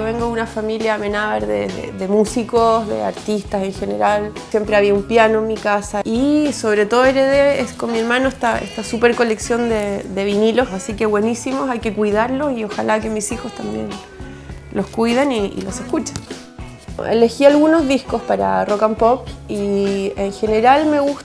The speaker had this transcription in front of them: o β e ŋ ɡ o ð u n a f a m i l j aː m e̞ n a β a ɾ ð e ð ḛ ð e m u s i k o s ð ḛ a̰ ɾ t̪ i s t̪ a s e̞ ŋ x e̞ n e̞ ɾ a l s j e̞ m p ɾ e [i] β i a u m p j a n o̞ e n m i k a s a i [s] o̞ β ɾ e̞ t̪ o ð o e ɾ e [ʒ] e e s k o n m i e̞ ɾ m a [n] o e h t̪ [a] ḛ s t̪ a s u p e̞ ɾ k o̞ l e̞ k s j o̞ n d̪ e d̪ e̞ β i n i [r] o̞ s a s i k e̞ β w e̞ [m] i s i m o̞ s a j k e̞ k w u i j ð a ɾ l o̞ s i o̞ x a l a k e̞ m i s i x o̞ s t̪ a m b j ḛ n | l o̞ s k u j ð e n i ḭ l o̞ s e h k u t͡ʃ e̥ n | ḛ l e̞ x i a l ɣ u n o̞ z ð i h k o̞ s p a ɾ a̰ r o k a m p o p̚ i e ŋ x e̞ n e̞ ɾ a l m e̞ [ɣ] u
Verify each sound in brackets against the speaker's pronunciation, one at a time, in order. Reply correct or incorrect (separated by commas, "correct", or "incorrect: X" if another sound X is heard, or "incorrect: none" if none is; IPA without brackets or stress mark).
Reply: incorrect: a, correct, incorrect: ð, correct, correct, incorrect: l, incorrect: n, correct